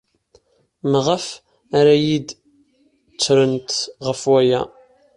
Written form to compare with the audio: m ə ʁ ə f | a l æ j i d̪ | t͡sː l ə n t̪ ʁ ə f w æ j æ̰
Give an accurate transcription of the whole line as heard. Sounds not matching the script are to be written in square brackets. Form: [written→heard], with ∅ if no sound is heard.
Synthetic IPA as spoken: m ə ʁ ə f | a [l→ɾ] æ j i d̪ | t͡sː [l→ɾ] ə n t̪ ʁ ə f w æ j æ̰